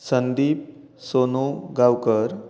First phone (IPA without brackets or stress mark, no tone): s